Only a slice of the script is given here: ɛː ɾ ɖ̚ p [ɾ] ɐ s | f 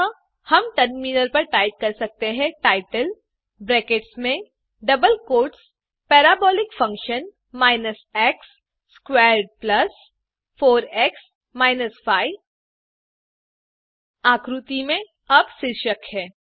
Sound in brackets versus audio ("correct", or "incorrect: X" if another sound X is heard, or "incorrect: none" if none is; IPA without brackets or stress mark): incorrect: l